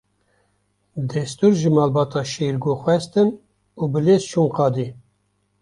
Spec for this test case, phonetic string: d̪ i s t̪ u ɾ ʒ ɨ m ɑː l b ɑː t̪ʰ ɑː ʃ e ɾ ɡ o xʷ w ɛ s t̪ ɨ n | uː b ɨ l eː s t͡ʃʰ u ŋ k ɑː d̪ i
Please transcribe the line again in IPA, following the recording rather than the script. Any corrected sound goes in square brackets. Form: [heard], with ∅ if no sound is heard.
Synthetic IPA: d̪ [ɛ] s t̪ u ɾ ʒ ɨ m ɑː l b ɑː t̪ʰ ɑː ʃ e ɾ ɡ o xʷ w ɛ s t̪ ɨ n | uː b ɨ l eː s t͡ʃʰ u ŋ [q] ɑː d̪ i